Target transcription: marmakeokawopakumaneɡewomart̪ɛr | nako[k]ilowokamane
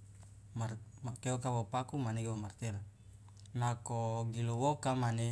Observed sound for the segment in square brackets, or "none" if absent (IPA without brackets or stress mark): ɡ